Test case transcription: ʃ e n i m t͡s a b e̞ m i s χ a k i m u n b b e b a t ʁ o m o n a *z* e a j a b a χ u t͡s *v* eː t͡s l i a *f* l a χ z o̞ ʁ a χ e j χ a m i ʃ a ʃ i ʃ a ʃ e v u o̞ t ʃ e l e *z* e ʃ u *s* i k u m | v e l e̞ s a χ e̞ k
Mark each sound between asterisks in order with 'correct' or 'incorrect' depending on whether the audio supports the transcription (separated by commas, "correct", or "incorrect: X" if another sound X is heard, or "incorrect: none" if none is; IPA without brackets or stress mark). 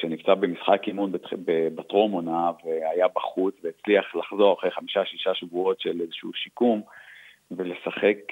incorrect: v, correct, incorrect: χ, correct, incorrect: ʃ